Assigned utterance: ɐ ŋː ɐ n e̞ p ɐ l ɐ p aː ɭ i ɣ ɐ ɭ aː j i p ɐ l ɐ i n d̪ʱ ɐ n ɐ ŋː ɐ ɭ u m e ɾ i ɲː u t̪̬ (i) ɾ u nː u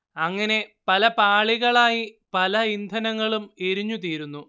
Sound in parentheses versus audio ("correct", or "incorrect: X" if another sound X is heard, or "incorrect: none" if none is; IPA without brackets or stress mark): incorrect: iː